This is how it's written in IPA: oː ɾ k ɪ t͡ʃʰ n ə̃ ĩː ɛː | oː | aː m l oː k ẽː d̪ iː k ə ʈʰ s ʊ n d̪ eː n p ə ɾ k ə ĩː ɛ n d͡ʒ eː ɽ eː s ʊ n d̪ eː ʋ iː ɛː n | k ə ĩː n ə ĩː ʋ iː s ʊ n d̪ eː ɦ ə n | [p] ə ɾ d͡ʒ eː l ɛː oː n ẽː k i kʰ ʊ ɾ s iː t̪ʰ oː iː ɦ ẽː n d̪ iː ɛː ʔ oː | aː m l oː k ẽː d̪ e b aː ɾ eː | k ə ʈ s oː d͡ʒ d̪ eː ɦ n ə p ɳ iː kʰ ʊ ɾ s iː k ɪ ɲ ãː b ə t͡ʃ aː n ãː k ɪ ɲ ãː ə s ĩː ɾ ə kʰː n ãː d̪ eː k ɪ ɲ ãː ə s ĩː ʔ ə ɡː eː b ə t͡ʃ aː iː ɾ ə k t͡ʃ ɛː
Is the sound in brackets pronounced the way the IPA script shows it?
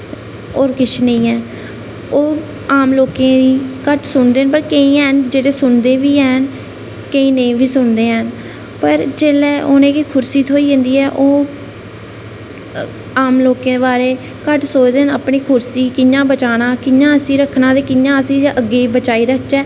yes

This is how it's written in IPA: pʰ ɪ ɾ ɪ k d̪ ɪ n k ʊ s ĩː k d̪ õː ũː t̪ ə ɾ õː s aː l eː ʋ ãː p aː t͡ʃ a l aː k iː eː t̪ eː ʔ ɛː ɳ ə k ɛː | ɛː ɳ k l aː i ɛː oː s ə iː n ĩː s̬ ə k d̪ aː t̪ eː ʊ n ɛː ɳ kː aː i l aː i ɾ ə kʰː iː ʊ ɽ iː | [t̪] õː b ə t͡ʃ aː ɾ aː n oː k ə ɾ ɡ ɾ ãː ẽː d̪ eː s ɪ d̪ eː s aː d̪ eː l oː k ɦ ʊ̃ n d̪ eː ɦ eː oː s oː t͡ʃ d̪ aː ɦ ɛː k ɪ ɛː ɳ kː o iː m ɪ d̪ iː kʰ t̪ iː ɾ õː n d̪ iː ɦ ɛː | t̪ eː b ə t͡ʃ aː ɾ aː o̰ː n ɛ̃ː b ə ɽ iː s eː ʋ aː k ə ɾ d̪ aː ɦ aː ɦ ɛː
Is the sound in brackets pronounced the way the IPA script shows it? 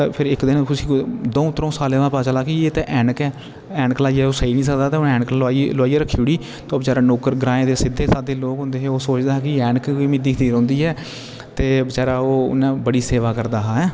yes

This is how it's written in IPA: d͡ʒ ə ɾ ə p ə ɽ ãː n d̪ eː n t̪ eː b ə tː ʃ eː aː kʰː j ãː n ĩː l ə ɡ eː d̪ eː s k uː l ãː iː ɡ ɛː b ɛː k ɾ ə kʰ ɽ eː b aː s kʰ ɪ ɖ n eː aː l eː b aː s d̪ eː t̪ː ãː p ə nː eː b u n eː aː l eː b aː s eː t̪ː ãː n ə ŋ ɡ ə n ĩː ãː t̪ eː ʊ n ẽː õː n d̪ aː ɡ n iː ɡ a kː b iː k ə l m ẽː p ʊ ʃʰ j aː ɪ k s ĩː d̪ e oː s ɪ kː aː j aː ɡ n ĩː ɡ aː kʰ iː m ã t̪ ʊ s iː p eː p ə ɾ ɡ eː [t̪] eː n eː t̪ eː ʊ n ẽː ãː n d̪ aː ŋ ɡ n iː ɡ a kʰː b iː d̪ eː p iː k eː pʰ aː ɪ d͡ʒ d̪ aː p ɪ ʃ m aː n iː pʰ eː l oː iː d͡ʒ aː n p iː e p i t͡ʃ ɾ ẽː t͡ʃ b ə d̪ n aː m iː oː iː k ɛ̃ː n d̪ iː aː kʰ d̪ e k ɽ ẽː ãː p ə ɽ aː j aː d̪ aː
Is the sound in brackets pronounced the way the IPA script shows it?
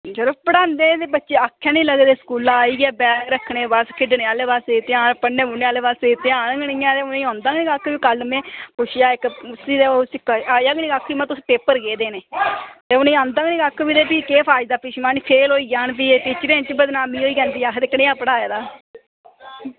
no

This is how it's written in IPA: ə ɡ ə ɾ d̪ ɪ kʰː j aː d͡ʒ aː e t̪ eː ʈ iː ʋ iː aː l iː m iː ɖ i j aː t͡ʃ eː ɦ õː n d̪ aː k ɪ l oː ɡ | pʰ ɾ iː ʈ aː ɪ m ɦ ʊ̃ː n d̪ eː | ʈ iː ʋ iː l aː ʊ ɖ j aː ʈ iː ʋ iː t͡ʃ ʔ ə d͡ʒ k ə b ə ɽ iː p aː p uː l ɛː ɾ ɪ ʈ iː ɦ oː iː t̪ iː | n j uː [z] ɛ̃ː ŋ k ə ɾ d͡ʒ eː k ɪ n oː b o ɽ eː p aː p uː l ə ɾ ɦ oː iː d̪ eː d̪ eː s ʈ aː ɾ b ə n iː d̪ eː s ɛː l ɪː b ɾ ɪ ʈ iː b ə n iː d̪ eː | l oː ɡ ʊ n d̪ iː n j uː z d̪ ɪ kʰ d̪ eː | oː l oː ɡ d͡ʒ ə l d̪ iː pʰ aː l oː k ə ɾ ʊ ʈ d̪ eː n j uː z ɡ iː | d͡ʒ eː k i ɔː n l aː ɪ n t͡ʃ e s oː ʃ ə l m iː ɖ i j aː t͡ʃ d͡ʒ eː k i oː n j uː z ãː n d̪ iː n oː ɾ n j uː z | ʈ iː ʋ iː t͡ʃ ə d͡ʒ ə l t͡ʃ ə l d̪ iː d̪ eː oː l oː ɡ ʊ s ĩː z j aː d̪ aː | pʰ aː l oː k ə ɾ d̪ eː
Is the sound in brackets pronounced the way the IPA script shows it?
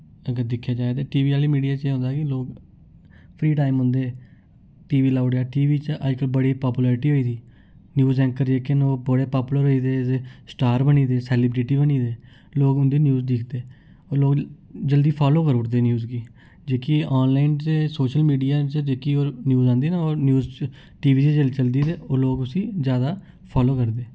yes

